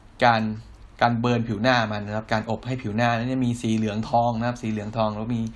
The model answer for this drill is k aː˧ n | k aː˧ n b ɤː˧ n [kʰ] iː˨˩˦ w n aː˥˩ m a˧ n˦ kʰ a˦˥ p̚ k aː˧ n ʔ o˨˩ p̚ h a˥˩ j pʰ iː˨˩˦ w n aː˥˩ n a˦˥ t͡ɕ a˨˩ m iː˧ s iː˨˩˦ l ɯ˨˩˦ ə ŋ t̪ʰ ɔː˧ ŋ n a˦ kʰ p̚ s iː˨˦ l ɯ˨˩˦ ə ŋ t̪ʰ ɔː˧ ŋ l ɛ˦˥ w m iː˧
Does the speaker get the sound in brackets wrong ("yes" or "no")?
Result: yes